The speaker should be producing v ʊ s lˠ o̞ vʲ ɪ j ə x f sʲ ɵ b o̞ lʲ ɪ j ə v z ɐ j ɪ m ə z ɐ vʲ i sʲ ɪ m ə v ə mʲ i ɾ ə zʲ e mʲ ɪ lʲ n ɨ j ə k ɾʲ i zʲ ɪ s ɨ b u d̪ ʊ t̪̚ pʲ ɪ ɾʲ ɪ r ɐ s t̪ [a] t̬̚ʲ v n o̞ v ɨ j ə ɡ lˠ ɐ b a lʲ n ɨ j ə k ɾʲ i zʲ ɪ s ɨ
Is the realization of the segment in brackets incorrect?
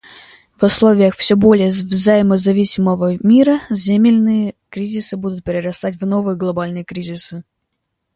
no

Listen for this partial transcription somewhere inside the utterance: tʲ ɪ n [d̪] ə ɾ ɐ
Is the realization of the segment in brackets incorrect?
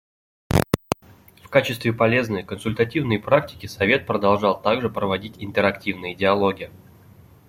yes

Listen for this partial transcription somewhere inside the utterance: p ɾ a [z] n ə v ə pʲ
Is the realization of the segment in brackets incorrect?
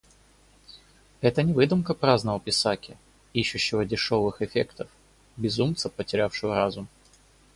no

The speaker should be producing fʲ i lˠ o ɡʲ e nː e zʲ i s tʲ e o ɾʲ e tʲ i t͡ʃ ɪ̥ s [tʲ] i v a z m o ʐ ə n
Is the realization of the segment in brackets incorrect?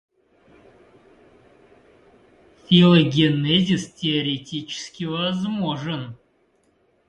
yes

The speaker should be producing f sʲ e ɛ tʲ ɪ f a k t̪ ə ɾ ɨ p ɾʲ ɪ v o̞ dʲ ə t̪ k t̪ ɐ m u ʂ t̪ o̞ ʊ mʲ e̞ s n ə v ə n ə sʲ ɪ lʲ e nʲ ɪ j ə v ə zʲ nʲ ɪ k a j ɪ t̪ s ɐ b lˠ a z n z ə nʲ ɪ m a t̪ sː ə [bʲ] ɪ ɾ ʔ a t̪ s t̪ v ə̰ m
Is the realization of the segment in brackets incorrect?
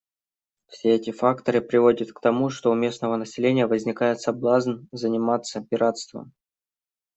yes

